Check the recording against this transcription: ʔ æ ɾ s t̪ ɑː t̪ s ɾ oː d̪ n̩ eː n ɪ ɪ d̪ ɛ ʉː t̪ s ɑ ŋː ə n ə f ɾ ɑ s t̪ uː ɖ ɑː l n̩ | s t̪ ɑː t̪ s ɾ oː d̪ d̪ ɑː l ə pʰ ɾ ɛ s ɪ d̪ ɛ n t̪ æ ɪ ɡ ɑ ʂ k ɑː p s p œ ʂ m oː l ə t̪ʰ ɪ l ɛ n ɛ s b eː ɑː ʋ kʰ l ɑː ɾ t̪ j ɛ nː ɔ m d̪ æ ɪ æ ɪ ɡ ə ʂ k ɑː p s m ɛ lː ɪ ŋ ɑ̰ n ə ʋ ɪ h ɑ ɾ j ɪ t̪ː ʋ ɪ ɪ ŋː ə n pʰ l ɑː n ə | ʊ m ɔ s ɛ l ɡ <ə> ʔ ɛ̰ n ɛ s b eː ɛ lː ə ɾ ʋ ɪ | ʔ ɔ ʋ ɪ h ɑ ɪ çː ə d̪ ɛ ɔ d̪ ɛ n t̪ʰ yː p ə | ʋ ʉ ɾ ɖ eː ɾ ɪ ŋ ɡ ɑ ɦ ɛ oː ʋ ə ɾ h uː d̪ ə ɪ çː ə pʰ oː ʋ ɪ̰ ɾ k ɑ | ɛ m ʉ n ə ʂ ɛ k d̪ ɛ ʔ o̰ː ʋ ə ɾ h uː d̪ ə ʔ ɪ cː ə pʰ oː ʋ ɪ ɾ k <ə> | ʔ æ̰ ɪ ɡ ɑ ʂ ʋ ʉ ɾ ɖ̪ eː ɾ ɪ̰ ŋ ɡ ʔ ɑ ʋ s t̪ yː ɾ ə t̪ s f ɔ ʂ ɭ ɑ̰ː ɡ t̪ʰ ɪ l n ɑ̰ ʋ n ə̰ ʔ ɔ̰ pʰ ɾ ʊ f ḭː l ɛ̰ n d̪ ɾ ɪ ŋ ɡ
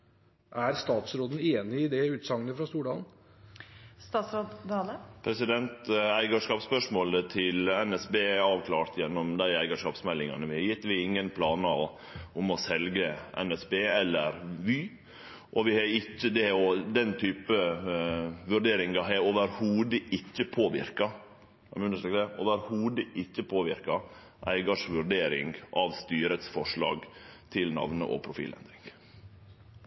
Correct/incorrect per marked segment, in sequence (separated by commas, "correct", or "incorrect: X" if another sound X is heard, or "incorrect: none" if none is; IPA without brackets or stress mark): correct, incorrect: ɑ